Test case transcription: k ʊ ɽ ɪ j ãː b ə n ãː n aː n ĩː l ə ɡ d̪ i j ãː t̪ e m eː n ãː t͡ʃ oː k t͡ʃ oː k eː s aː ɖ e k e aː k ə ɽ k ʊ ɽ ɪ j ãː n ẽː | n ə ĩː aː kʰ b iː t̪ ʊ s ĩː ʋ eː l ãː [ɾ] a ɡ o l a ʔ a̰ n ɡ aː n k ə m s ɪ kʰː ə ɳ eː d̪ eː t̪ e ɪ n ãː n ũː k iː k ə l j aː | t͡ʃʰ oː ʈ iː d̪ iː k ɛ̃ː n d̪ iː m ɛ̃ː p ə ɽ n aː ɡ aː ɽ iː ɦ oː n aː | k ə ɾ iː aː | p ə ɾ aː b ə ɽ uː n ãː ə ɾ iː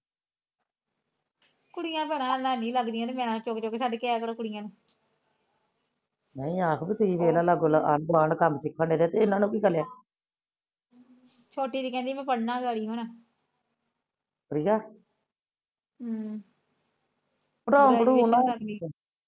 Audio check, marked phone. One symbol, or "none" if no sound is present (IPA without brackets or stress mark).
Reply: l